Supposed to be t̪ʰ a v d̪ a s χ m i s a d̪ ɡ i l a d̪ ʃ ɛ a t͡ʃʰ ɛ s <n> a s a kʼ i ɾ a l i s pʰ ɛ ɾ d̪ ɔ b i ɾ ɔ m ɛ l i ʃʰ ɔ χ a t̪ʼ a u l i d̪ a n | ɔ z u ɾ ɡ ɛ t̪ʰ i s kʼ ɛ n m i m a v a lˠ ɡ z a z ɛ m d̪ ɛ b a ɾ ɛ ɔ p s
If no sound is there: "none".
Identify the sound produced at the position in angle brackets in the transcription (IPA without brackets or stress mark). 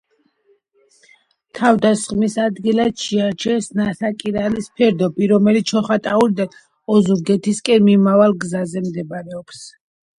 n